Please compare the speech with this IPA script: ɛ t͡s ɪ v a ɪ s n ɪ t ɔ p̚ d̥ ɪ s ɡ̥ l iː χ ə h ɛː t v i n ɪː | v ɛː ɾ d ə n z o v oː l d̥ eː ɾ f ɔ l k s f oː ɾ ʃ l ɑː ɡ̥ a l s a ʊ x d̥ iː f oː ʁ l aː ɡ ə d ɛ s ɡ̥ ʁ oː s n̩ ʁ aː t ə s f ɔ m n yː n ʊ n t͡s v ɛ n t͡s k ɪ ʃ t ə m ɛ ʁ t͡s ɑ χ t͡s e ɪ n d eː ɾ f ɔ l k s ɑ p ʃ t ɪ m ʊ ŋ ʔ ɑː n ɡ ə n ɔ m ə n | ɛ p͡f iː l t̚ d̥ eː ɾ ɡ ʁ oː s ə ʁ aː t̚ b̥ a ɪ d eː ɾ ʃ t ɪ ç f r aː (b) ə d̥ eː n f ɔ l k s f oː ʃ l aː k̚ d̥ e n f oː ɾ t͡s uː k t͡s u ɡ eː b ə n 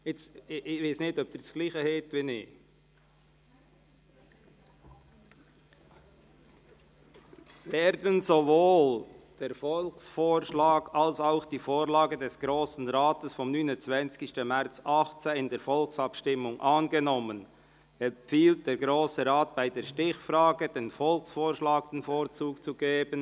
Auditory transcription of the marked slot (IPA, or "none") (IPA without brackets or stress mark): ɡ